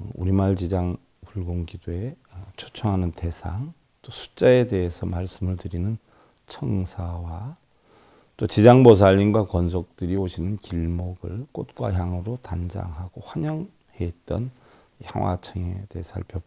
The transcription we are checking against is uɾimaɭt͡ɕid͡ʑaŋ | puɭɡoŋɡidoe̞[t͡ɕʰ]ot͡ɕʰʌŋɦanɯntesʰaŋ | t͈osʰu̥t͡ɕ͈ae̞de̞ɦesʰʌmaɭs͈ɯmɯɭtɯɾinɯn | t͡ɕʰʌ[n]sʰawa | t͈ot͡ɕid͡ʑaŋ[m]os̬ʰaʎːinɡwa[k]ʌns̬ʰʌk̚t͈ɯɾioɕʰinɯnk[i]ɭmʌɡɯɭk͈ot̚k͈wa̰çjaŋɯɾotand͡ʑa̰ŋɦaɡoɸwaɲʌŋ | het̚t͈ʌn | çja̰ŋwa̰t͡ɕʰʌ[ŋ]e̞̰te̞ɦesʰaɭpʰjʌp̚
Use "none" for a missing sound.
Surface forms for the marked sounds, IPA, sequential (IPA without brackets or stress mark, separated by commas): t͡ɕʰ, ŋ, b, k, i, ŋ